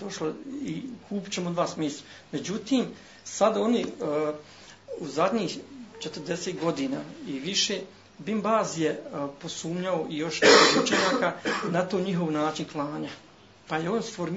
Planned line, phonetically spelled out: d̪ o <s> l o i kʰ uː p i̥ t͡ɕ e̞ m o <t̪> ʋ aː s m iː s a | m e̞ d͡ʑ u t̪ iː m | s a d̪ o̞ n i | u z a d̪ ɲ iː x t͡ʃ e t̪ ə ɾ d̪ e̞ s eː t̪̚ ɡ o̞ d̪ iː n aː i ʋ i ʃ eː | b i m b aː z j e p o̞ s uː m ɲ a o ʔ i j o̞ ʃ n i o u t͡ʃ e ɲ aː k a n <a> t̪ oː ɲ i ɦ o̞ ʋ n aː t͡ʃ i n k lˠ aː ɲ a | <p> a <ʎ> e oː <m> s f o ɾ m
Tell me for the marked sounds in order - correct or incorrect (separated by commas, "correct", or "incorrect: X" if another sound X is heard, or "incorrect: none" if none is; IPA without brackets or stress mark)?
incorrect: ʃ, incorrect: d̪, correct, correct, incorrect: j, incorrect: n